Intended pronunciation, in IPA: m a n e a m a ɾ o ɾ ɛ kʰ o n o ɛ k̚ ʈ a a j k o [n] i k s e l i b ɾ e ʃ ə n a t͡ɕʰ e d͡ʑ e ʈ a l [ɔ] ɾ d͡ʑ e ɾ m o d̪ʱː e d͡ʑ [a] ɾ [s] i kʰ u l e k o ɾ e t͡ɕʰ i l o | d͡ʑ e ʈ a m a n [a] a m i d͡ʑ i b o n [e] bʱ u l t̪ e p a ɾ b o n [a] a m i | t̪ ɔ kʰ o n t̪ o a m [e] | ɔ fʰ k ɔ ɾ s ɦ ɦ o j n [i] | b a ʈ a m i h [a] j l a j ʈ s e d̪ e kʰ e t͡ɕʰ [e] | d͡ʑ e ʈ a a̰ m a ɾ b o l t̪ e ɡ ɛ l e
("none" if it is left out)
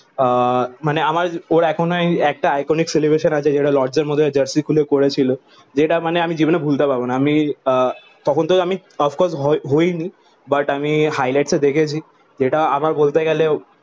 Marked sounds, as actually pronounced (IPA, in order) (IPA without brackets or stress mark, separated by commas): n, ɔ, ə, s, e, e, a, i, i, a, i